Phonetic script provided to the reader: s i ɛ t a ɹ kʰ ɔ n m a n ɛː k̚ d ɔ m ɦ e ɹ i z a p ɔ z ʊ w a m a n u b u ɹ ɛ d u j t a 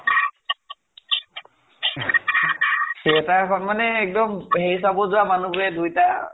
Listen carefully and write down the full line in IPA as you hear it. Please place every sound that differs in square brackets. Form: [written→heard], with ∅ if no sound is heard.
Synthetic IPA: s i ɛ t a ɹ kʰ ɔ n m a n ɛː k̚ d ɔ m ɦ e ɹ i [z→s] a [p→b] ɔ z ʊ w a m a n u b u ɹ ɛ d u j t a